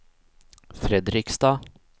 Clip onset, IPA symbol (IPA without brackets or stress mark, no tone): f